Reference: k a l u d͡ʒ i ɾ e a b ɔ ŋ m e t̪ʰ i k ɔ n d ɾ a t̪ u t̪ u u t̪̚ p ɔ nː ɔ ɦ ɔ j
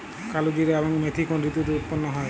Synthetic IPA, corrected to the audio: k a l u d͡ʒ i ɾ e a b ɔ ŋ m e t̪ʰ i k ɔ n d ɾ i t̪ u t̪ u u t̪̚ p ɔ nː ɔ ɦ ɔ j